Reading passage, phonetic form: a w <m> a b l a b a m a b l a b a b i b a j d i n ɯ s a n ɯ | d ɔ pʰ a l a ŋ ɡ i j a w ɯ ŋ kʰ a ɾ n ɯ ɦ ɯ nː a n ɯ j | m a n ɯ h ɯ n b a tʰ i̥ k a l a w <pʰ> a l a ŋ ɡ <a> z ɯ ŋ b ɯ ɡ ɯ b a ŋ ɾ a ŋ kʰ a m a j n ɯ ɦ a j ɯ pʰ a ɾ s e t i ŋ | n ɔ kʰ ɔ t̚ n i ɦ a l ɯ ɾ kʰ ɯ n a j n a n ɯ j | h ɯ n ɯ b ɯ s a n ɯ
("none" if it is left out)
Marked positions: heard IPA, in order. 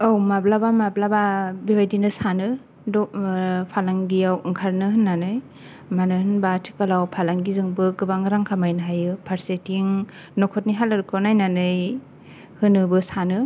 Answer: m, pʰ, i

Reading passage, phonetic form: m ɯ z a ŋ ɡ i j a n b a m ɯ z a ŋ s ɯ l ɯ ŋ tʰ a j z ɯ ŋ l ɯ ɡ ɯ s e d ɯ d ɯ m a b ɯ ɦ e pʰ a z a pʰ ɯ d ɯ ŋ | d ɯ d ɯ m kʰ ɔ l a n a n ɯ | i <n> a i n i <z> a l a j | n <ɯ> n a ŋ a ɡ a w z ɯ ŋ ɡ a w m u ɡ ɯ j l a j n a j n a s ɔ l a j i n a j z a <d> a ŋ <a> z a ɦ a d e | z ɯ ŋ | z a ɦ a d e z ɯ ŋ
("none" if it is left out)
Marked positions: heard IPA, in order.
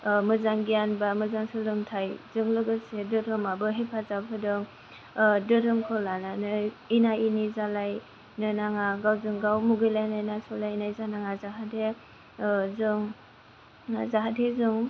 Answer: n, z, ɯ, n, a

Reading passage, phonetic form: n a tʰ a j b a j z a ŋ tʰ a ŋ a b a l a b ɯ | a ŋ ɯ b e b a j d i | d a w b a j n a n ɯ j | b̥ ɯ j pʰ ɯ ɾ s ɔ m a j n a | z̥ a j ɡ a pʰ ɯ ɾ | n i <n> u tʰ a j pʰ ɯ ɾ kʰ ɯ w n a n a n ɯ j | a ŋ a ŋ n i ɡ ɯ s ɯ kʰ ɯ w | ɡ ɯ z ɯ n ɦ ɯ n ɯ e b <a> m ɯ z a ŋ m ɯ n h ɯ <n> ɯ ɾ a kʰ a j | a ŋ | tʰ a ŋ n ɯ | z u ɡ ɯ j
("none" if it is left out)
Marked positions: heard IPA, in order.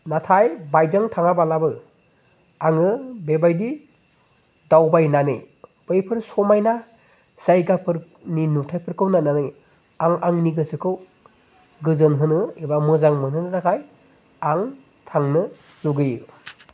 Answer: n, a, n

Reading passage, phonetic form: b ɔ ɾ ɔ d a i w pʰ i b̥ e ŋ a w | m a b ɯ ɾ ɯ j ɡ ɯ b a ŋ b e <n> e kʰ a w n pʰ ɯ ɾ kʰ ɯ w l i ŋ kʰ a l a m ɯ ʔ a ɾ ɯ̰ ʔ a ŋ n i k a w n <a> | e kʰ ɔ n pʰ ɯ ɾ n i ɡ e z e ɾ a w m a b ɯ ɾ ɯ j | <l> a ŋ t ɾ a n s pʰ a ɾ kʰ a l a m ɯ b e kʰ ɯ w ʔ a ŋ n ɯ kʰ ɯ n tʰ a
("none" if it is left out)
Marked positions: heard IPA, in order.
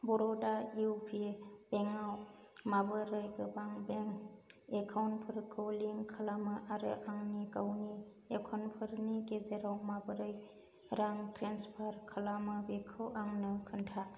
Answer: ŋ, i, ɾ

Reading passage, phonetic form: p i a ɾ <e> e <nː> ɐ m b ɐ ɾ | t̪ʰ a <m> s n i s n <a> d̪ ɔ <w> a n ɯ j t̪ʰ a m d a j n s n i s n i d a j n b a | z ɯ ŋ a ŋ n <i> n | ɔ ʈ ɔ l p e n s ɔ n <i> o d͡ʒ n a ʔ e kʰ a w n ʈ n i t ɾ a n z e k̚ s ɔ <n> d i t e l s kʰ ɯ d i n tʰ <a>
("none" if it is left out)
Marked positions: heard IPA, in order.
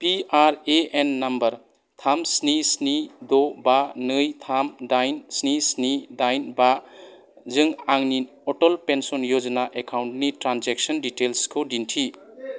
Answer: e, nː, m, i, b, i, j, n, i

